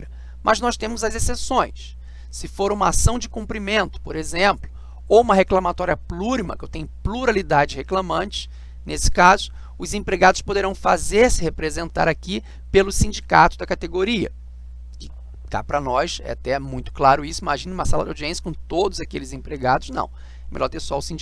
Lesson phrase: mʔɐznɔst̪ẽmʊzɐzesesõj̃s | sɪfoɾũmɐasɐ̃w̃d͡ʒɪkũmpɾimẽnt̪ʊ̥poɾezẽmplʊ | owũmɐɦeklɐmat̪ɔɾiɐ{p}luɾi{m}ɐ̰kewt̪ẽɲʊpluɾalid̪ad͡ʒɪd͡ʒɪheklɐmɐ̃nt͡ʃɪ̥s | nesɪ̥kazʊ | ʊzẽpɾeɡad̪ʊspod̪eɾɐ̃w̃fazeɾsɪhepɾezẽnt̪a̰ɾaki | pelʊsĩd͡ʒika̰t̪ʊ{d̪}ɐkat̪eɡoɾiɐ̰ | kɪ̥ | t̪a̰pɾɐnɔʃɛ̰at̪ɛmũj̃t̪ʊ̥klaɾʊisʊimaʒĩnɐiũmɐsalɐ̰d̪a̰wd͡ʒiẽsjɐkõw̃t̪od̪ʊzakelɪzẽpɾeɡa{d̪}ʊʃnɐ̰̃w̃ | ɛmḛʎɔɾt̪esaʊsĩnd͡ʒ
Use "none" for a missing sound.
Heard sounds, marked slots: p, m, d̪, d̪

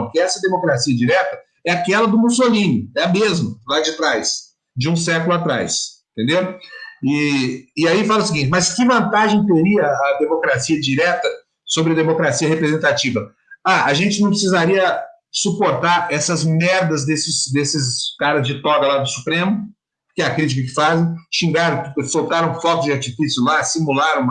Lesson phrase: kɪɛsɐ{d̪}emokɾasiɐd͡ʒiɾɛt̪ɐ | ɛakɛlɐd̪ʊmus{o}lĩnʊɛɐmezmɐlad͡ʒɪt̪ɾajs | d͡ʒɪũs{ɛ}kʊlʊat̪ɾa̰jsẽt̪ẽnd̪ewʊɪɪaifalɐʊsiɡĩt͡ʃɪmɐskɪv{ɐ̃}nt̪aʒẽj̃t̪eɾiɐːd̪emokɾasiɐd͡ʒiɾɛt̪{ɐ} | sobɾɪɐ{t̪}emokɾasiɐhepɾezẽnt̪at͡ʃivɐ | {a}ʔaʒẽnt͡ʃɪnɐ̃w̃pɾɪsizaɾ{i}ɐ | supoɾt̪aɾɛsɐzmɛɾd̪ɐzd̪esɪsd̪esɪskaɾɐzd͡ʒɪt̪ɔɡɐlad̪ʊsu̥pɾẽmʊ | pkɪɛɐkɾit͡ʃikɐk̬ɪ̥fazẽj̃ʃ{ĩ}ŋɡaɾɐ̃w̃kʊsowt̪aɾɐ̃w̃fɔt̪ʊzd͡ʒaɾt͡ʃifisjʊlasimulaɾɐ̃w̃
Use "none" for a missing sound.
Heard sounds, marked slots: d̪, o, ɛ, ɐ̃, ɐ, d̪, a, i, ĩ

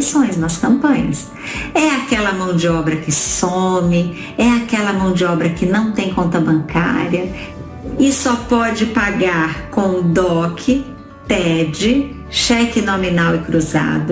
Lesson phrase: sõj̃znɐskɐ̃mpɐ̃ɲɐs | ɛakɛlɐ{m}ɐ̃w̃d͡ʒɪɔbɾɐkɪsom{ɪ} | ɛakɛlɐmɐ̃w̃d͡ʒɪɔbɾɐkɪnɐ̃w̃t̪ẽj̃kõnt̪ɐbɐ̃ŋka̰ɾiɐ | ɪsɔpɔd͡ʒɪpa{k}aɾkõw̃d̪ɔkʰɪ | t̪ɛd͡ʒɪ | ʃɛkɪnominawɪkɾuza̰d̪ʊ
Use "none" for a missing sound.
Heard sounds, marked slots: m, ɪ, ɡ

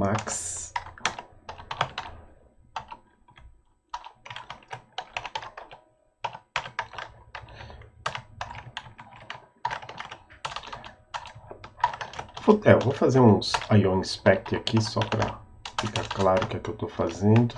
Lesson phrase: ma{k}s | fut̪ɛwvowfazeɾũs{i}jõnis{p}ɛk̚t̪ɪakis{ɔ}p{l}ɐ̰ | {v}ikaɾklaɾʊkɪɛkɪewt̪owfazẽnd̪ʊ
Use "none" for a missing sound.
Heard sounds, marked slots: k, a, p, ɔ, ɾ, f

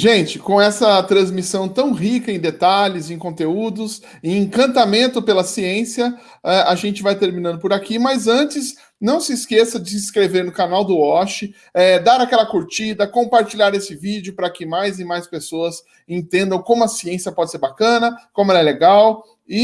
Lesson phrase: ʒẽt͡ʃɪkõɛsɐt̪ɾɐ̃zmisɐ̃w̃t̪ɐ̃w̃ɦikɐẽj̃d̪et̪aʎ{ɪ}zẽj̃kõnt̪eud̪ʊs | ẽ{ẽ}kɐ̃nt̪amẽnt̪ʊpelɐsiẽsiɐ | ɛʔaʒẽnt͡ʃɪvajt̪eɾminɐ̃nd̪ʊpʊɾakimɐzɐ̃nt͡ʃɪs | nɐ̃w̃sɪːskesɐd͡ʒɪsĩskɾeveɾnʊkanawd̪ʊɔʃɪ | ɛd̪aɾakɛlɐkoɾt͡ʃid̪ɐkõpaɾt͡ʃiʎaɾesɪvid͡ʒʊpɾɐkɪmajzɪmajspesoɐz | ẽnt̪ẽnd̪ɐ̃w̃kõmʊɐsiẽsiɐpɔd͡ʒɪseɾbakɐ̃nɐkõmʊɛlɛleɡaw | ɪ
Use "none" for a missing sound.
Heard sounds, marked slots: ɪ, ẽ

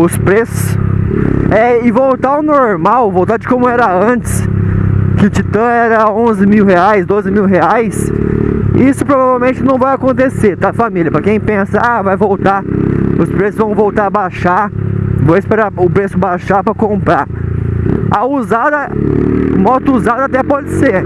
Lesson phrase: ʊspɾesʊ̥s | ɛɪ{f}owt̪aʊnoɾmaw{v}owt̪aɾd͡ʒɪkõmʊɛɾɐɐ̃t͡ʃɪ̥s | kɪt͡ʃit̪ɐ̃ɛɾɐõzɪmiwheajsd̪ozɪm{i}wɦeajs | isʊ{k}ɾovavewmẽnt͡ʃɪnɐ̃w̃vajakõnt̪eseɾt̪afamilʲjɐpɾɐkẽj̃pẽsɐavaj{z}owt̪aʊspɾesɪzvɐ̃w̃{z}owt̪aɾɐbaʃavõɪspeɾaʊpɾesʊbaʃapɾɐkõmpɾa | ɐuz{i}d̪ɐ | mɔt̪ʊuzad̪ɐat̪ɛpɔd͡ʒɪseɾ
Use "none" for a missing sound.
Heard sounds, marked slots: v, v, i, p, v, v, a

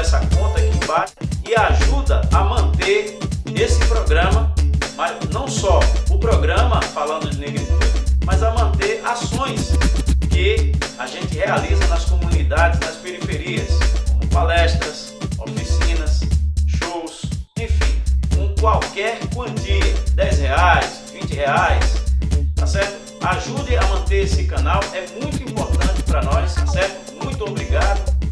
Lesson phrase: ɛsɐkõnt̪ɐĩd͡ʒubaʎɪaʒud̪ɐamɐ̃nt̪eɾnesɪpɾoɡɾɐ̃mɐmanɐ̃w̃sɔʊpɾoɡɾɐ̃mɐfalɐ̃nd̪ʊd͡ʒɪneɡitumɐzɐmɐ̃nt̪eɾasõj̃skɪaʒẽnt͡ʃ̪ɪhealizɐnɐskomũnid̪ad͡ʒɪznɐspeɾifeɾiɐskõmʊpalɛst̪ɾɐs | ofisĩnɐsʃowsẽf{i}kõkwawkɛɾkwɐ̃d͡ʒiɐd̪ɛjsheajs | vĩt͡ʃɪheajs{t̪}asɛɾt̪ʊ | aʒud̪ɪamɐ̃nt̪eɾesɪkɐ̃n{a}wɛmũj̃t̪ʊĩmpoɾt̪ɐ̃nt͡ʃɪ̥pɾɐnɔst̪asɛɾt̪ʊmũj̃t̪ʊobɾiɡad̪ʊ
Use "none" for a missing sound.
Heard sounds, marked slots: ĩ, t̪, a

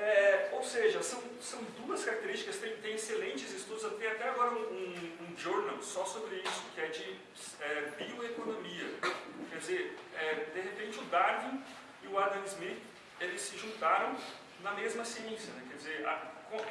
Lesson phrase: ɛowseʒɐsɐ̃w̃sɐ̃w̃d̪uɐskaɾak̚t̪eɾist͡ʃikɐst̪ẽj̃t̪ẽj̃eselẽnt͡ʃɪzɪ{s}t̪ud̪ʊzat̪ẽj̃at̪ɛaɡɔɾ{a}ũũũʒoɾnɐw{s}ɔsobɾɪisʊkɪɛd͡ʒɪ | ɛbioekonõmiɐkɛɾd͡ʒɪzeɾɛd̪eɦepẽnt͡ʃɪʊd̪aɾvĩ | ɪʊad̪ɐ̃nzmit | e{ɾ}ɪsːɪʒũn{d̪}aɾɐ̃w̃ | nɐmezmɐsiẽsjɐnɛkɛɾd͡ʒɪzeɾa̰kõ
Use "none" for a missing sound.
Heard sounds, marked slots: s, ɐ, s, l, t̪

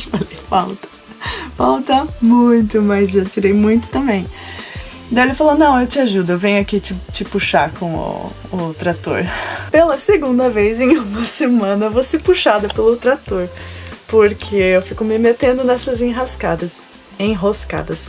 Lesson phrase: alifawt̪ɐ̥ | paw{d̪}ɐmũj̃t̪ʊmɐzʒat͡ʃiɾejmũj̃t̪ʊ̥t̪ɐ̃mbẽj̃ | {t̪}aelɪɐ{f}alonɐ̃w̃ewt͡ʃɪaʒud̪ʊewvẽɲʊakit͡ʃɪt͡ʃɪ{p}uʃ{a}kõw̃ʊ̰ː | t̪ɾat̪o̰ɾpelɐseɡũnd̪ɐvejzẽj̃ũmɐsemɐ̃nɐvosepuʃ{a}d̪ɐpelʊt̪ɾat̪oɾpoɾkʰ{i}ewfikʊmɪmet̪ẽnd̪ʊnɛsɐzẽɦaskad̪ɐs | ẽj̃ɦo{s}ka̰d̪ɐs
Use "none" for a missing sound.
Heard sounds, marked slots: t̪, d̪, f, p, a, a, e, s

